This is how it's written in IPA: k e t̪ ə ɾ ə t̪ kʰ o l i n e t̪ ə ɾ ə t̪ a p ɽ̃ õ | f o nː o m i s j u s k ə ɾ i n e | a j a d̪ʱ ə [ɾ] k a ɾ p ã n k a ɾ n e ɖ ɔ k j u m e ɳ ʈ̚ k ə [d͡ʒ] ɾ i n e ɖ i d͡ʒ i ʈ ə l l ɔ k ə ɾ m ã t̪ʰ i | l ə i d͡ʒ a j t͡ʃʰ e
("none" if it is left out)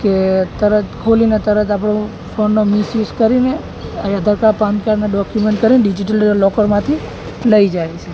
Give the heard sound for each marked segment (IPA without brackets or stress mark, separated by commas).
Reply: ɾ, none